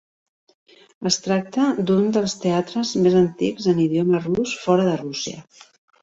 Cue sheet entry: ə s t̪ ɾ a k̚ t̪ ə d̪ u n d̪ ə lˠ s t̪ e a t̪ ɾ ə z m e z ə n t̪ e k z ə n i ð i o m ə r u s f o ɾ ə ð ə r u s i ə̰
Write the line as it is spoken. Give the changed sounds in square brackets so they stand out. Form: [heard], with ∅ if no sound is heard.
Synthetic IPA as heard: ə s t̪ ɾ a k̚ t̪ ə d̪ u n d̪ ə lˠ s t̪ e a t̪ ɾ ə z m e z ə n t̪ [i] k z ə n i ð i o m ə r u s f [ɔ] ɾ ə ð ə r u s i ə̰